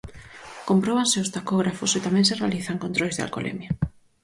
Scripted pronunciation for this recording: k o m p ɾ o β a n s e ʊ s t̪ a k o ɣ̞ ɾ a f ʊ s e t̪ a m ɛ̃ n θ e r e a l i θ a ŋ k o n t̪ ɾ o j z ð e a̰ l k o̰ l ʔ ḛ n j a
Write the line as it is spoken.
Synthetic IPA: k o m p ɾ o β a n s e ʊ s t̪ a k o ɣ̞ ɾ a f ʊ s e t̪ a m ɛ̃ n s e r e a l i θ a ŋ k o n t̪ ɾ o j z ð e a̰ l k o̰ l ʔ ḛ m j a

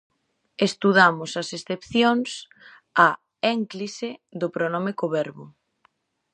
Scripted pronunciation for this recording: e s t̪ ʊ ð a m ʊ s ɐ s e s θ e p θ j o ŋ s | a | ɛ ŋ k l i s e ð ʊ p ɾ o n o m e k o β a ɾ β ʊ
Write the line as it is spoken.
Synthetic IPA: e s t̪ u ð a m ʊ s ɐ s e s θ e p θ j o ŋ s | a | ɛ ŋ k l i s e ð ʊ p ɾ o n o m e k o β ɛ ɾ β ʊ

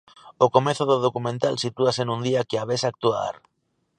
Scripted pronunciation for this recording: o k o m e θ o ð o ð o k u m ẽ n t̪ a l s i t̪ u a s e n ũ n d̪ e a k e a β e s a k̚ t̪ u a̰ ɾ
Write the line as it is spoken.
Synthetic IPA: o k o m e θ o ð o ð o k u m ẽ n t̪ a l s i t̪ u a s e n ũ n d̪ i a k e a β e s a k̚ t̪ u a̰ ɾ

